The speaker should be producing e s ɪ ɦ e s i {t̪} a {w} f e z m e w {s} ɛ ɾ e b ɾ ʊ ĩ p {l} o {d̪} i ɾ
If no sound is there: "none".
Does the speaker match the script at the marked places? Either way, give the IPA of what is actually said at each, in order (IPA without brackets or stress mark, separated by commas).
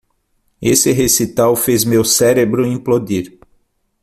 t̪, w, s, l, d̪